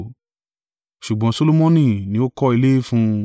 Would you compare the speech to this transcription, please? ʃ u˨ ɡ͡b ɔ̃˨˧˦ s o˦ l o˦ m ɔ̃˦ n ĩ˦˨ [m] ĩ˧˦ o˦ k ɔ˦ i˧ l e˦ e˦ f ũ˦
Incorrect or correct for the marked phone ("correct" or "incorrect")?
incorrect